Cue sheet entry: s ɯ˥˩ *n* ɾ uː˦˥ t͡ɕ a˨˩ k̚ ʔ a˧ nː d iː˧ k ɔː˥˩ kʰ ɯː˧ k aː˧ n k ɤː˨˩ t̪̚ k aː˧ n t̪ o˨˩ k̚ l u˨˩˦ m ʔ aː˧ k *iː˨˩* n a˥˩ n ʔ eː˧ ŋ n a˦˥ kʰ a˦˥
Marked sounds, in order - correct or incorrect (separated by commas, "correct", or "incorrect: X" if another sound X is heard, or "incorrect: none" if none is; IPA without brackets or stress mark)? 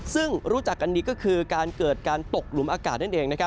incorrect: ŋ, incorrect: aː˨˩